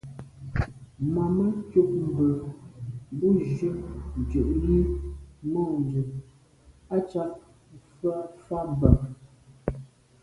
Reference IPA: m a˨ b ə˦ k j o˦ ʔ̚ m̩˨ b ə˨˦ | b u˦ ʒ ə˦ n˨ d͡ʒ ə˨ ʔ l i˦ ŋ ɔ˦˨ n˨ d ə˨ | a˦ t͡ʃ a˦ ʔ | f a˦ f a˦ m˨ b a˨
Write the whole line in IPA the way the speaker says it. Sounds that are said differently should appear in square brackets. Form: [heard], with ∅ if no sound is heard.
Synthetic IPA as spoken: m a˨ [m] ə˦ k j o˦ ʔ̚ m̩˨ b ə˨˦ | b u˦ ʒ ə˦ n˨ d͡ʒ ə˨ ʔ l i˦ [m] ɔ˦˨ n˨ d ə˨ | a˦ t͡ʃ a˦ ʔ | f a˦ f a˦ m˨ b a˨